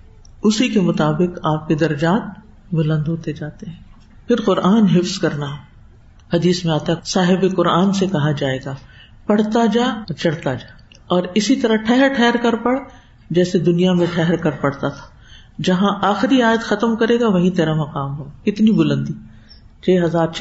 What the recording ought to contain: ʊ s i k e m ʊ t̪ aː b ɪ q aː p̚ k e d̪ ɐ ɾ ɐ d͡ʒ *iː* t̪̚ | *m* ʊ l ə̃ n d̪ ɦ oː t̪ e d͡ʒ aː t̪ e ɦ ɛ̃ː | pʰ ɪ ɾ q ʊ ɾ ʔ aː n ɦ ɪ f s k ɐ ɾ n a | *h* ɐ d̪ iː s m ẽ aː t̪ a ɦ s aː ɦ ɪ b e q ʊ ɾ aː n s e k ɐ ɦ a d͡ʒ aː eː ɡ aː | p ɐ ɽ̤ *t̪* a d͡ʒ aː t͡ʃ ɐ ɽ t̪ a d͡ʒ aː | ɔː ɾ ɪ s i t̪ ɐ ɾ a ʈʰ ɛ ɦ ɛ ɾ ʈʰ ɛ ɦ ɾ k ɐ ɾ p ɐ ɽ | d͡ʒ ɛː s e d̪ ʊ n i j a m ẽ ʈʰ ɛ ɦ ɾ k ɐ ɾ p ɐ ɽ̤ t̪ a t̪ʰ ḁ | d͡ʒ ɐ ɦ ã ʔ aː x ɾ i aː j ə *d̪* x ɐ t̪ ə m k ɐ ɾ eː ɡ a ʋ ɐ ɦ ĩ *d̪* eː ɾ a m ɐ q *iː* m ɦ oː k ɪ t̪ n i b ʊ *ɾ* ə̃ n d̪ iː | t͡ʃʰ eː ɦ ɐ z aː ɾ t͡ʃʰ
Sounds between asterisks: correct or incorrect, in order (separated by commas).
incorrect, incorrect, correct, correct, incorrect, incorrect, incorrect, incorrect